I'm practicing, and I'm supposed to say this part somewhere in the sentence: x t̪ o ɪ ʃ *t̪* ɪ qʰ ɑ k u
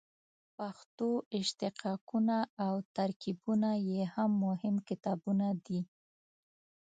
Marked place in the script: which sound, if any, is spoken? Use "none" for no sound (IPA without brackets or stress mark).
t̪